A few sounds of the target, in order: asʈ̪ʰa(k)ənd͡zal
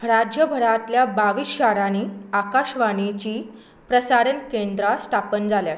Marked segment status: incorrect: p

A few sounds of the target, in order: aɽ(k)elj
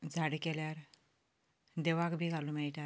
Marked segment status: correct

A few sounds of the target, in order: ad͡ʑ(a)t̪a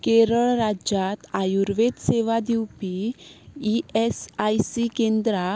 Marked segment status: correct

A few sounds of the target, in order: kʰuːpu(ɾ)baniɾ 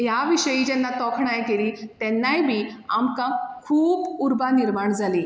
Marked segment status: correct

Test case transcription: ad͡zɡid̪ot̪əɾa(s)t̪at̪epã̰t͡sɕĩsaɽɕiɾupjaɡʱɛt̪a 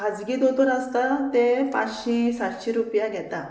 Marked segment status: correct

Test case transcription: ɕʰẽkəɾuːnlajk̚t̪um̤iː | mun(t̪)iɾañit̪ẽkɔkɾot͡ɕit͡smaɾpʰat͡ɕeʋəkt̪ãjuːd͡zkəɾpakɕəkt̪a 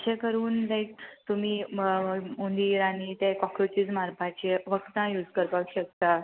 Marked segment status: incorrect: d̪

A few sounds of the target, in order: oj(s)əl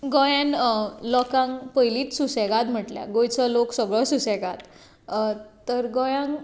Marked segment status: incorrect: t͡s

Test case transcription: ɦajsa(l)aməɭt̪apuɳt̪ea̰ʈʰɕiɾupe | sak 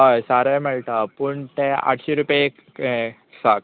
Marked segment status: incorrect: ɾ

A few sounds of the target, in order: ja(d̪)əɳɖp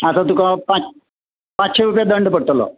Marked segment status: correct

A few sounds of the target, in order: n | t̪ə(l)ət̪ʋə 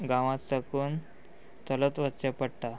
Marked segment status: correct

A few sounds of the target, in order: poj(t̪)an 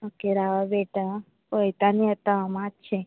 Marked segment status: correct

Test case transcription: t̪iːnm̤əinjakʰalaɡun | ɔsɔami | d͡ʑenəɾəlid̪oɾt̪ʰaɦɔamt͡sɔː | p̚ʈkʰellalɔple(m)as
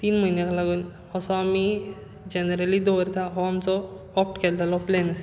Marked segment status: incorrect: n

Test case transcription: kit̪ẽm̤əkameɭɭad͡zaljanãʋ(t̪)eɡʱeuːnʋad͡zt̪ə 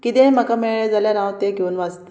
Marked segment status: correct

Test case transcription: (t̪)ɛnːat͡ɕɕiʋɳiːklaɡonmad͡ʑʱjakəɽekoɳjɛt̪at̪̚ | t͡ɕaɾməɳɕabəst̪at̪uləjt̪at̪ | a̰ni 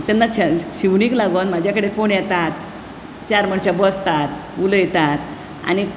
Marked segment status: correct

